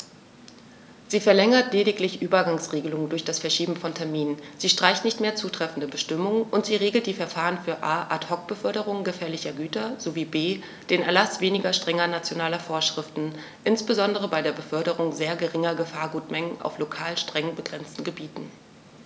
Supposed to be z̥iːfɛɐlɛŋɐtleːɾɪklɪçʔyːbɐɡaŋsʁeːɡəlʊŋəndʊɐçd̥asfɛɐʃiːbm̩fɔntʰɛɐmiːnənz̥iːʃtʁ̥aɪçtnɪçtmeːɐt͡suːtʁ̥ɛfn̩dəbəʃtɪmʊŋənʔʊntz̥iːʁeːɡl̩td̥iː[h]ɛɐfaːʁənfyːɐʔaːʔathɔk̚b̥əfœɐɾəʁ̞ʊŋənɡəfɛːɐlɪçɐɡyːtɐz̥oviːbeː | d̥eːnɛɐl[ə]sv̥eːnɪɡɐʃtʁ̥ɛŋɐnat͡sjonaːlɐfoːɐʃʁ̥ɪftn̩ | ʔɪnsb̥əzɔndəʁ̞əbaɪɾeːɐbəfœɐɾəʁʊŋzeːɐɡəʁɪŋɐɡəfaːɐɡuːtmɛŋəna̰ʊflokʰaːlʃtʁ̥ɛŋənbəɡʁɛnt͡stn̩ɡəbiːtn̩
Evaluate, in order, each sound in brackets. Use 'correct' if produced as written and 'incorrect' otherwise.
incorrect: f, incorrect: a

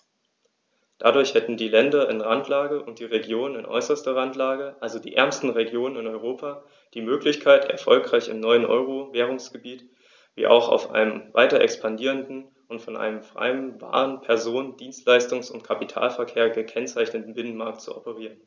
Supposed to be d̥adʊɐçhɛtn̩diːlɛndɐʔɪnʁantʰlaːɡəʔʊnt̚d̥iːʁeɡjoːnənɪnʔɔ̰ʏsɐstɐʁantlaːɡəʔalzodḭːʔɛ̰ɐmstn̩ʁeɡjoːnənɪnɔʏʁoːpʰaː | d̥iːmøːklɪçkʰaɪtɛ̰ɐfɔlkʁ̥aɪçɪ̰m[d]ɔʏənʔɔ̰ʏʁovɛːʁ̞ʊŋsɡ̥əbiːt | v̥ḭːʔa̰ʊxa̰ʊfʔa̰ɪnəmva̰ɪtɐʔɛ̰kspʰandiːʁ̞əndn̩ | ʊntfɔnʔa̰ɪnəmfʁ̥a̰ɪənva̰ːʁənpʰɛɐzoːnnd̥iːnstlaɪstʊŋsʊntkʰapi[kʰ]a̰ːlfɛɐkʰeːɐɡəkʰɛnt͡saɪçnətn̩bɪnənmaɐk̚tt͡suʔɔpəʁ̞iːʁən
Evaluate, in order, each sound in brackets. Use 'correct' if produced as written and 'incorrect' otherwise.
incorrect: n, incorrect: tʰ

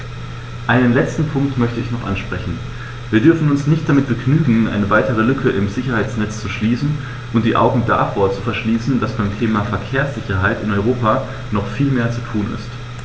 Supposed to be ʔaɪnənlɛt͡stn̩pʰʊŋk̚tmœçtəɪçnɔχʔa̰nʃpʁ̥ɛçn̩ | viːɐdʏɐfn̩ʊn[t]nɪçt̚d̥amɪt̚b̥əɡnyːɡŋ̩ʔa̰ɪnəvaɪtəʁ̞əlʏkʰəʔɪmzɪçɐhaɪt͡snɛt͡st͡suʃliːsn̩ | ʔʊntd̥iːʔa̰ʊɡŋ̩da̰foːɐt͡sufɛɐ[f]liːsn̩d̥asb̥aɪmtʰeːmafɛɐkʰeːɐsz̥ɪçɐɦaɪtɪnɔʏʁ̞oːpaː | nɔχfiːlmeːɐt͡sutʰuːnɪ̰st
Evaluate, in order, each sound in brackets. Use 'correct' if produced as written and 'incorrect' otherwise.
incorrect: s, incorrect: ʃ

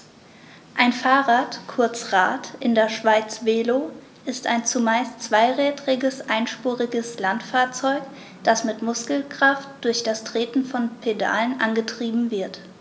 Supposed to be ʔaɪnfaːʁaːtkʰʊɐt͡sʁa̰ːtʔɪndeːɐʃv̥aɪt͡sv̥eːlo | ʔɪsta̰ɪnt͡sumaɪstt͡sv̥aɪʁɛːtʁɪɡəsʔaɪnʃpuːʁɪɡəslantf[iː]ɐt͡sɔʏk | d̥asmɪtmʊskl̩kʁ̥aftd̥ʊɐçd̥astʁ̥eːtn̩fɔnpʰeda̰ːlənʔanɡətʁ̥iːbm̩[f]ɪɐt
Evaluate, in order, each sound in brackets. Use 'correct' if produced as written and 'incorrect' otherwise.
incorrect: aː, incorrect: v

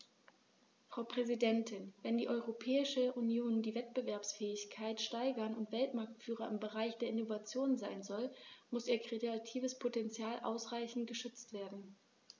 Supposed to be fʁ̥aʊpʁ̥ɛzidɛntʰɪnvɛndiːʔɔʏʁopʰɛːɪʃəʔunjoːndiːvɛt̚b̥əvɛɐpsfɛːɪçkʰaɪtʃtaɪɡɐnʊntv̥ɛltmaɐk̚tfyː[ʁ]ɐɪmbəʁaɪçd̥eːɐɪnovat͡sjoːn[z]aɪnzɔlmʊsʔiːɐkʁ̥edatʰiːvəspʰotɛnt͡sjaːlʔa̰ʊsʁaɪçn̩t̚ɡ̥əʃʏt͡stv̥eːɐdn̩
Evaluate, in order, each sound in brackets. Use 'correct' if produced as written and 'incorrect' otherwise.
correct, correct

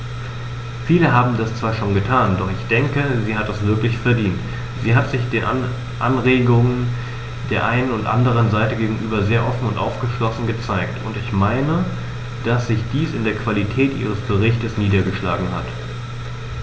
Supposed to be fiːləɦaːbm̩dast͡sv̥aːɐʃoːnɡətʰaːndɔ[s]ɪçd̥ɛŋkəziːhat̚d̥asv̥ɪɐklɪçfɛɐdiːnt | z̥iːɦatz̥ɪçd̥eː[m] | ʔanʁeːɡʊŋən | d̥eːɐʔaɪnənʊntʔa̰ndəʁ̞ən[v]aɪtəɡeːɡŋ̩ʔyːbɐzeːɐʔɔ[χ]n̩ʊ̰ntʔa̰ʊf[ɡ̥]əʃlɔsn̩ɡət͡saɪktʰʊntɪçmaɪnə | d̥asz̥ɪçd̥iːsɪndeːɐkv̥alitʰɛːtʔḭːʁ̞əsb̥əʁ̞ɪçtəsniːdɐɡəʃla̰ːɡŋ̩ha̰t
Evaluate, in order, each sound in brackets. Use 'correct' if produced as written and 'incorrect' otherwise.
incorrect: χ, incorrect: n, incorrect: z, incorrect: f, correct

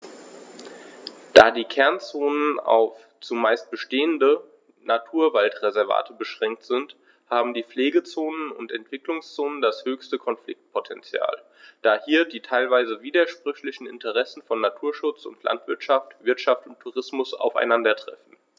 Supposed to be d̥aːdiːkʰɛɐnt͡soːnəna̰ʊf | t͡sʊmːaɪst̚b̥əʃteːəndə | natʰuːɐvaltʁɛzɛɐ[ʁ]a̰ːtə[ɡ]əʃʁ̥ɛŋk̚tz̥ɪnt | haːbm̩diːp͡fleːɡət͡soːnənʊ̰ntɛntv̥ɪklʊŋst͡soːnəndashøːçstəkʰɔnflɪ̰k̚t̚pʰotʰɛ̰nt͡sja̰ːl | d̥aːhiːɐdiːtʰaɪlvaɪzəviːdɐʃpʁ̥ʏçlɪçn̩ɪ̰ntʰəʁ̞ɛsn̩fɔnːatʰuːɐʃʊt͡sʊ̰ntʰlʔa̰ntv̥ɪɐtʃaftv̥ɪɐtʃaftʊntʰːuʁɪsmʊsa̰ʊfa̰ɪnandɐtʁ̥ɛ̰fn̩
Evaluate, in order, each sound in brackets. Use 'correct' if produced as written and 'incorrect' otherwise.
incorrect: v, incorrect: b

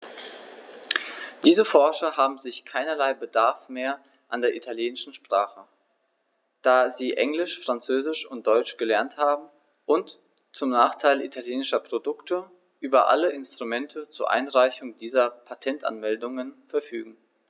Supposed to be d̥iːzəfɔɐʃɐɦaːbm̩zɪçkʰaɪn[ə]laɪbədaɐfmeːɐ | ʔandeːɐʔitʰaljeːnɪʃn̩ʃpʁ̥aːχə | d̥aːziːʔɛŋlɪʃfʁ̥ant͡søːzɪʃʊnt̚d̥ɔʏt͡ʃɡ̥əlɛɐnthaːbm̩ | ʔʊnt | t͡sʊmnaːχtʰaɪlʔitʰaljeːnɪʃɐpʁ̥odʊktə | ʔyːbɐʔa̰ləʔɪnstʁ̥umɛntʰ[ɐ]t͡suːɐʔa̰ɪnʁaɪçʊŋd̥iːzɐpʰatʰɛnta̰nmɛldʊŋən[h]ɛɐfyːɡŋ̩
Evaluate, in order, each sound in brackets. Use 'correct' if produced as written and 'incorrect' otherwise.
incorrect: ɐ, incorrect: ə, incorrect: f

